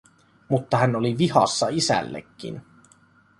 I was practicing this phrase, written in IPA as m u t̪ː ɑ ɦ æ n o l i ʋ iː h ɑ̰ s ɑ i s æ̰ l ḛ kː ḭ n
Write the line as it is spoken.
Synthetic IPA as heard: m u t̪ː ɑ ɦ æ n o l i ʋ i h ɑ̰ sː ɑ i s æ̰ lː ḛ kː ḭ n